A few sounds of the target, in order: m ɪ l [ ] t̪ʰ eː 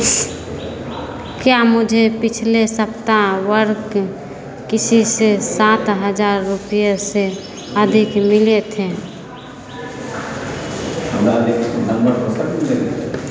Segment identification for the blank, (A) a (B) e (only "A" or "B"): B